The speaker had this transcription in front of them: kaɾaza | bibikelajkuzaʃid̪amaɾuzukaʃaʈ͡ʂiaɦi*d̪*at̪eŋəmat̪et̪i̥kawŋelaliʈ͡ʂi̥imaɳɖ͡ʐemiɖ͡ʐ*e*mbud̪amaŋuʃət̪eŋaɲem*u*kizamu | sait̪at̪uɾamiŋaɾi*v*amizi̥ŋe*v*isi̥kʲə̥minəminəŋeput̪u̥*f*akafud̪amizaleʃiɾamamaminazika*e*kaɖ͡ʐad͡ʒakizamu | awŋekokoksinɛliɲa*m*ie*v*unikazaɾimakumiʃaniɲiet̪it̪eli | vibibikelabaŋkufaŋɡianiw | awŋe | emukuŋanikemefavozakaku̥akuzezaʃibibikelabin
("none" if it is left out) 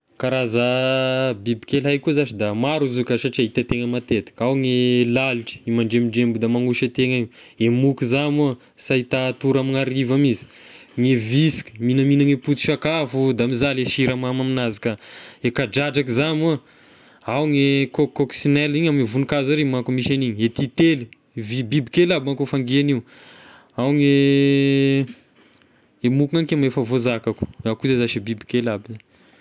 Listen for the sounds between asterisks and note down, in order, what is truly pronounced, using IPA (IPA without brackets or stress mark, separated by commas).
t̪, e, u, v, v, ʃ, e, m, v